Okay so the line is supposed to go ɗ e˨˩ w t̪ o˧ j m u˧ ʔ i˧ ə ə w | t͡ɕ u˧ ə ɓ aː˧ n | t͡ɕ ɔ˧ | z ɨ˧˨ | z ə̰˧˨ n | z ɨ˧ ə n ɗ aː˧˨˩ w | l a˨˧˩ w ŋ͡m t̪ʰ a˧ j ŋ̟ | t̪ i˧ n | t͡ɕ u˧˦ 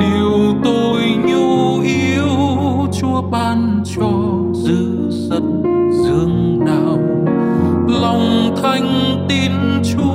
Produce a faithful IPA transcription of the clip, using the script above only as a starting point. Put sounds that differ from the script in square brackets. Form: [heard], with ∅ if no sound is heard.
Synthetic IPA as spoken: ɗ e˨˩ w t̪ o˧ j [ɲ] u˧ ʔ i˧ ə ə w | t͡ɕ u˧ ə ɓ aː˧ n | t͡ɕ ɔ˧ | z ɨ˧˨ | z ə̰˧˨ n | z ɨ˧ ə [ŋ] ɗ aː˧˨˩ w | l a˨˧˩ w ŋ͡m t̪ʰ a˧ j ŋ̟ | t̪ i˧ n | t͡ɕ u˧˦